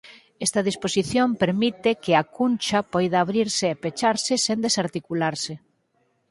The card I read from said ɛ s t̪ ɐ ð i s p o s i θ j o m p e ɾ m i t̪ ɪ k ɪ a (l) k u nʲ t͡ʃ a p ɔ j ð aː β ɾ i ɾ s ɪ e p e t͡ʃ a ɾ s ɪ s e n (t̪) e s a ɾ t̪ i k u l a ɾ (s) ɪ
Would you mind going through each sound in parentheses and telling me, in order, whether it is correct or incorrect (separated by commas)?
incorrect, incorrect, correct